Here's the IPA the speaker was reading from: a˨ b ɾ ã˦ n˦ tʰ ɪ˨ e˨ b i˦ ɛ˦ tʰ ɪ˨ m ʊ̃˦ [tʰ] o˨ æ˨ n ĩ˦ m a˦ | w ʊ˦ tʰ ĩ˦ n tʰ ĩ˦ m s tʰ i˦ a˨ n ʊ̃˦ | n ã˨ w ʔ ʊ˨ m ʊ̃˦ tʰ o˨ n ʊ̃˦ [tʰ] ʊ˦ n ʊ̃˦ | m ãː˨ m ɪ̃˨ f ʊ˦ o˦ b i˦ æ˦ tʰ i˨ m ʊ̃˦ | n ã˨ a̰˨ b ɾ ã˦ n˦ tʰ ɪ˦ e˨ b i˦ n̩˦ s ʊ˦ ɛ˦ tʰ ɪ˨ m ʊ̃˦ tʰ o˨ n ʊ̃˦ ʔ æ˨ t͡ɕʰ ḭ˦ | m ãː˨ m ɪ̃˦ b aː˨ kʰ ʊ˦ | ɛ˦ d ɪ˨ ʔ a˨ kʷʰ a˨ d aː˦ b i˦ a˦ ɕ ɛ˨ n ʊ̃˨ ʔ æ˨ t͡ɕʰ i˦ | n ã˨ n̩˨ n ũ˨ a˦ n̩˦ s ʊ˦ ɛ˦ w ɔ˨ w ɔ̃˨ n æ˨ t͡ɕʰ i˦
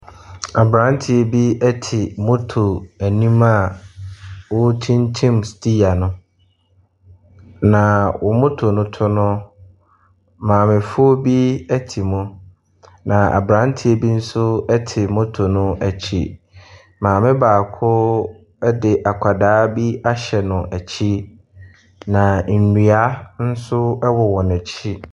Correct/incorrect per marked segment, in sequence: correct, correct

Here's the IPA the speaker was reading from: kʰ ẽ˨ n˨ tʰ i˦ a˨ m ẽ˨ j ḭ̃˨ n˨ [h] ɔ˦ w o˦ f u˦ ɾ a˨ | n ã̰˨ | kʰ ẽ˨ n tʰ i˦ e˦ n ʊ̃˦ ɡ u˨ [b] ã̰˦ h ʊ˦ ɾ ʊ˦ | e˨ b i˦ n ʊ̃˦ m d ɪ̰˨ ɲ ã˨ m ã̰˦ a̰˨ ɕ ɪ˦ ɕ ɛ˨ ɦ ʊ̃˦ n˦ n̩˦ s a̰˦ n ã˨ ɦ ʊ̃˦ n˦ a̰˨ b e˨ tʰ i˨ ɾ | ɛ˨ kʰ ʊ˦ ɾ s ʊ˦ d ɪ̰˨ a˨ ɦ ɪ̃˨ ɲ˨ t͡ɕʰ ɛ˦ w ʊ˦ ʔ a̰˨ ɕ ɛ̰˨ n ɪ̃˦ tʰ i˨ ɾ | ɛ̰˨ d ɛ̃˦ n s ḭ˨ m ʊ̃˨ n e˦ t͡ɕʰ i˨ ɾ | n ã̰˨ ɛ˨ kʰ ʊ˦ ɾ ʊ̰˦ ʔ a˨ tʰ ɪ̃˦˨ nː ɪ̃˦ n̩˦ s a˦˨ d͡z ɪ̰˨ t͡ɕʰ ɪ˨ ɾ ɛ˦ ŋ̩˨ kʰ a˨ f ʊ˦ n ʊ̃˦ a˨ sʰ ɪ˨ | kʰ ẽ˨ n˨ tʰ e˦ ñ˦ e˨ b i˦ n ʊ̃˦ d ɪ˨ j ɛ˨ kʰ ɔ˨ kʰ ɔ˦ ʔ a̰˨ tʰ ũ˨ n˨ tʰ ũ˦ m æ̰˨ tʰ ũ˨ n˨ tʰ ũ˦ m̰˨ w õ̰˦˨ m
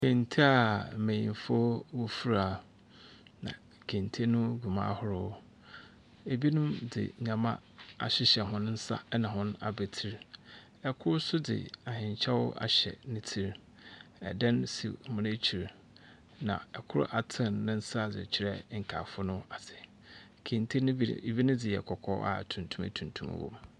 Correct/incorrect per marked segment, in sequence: incorrect, incorrect

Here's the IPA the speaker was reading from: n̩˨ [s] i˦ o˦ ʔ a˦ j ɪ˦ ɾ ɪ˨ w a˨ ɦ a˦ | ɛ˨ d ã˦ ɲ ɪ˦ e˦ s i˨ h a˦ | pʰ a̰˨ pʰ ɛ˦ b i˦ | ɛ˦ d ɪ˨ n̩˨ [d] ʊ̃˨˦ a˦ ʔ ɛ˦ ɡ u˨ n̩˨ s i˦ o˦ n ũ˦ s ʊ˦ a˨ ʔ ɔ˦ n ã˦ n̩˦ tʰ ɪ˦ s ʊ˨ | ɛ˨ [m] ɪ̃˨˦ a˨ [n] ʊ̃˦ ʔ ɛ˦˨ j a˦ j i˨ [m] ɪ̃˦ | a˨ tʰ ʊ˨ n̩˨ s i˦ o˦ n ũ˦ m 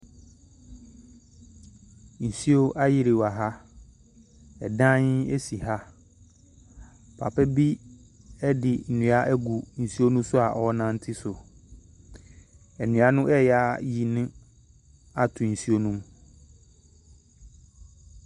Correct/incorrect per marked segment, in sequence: correct, incorrect, incorrect, correct, incorrect

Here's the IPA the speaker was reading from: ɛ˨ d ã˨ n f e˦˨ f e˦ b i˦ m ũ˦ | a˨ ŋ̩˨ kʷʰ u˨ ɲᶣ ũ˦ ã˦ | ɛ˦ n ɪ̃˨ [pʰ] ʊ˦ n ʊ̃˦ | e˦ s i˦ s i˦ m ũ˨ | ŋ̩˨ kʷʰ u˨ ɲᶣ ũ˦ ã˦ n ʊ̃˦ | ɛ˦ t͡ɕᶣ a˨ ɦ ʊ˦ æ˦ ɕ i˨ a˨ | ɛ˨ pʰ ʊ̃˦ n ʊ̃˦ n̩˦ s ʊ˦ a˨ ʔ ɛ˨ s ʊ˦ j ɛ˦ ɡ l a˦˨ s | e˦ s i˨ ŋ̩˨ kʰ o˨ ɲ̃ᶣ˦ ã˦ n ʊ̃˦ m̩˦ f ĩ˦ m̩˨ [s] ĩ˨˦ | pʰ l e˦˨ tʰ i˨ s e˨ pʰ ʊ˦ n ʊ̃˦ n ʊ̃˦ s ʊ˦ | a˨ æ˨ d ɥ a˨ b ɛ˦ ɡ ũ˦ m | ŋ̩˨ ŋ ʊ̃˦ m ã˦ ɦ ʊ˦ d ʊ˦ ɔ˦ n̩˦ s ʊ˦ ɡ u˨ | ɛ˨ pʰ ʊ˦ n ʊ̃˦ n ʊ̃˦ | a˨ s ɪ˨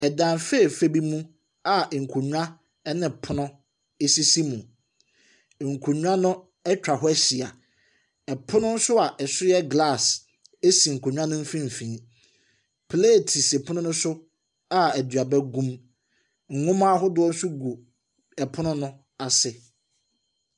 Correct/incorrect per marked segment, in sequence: correct, incorrect

